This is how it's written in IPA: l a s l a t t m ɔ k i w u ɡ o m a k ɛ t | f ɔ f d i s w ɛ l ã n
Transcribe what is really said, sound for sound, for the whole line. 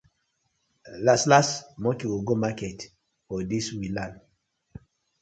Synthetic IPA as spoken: l a s l a s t m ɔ k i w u ɡ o m a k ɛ t | f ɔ d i s w i l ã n